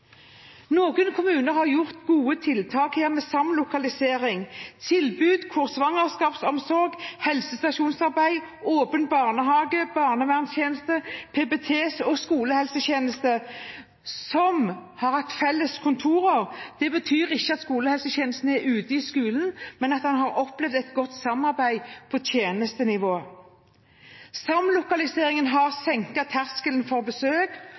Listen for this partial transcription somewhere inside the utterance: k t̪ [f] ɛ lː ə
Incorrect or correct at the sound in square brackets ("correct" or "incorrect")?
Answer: correct